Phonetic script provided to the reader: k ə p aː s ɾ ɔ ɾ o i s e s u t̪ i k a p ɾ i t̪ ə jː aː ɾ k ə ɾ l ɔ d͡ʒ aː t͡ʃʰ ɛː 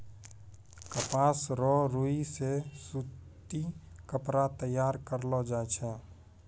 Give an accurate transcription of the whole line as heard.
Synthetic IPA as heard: k ə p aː s ɾ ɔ ɾ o i s e s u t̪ i k ə p ɾ a t̪ ə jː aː ɾ k ə ɾ l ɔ d͡ʒ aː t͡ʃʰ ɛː